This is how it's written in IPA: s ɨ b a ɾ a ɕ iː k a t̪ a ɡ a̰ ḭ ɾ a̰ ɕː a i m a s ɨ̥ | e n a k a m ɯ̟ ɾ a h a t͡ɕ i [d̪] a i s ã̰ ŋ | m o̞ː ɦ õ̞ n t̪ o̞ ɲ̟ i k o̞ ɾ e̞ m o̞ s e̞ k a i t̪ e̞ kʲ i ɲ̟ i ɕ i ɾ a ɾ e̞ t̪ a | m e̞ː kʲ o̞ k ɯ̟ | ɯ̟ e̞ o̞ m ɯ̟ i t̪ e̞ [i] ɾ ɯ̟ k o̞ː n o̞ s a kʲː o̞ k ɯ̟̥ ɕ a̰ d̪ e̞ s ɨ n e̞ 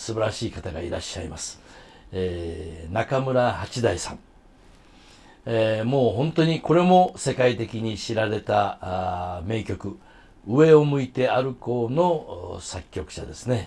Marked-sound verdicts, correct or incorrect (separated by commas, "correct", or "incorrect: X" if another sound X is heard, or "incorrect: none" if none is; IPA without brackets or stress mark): correct, incorrect: a